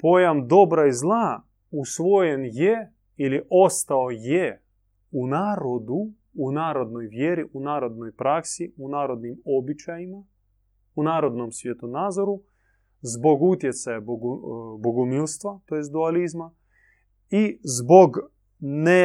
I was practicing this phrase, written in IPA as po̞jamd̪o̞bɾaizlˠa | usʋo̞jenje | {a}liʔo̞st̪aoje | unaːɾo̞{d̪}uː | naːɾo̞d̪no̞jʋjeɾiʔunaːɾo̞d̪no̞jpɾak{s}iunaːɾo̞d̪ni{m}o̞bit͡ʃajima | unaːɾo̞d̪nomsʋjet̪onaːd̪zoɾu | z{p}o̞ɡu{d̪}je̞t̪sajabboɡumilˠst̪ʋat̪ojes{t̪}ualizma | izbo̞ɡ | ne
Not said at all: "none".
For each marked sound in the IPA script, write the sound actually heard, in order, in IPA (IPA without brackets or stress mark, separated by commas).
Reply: i, d̪, s, m, b, t̪, d̪